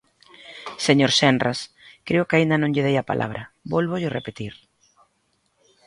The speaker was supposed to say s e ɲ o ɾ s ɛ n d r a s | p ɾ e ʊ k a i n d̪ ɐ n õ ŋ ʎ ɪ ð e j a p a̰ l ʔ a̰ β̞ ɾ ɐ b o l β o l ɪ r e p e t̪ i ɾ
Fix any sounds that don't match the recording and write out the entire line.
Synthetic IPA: s e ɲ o ɾ s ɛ n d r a s | k ɾ e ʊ k a i n d̪ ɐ n õ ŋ ʎ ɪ ð e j a p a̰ l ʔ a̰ β̞ ɾ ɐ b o l β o ʎ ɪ r e p e t̪ i ɾ